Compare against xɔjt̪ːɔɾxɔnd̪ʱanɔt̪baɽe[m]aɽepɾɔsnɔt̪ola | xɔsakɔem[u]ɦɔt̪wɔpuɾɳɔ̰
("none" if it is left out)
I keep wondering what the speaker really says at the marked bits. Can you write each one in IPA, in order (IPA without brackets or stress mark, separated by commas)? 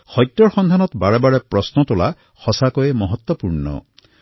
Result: b, ɔ